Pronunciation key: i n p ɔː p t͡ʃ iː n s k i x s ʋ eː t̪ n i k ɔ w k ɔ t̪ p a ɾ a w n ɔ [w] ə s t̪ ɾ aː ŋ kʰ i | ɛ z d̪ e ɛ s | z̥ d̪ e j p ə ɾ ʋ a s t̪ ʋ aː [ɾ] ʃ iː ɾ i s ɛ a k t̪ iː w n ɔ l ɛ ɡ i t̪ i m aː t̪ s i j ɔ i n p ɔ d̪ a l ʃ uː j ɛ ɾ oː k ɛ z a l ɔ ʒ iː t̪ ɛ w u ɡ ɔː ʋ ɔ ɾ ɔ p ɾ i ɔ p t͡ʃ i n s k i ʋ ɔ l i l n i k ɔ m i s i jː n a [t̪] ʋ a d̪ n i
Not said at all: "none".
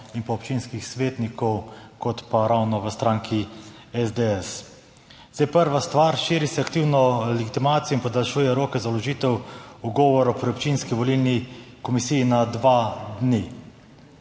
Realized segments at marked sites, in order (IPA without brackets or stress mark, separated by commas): ʋ, ɾ, d̪